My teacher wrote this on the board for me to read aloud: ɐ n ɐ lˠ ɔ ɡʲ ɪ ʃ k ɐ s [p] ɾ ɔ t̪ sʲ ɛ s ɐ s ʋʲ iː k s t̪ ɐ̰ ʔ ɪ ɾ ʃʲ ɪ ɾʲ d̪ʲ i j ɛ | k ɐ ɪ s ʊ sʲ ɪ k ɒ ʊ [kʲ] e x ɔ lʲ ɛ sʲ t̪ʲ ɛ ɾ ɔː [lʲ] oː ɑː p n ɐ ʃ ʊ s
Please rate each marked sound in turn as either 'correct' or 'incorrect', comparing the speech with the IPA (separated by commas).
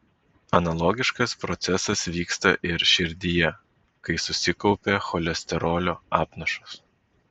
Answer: correct, incorrect, correct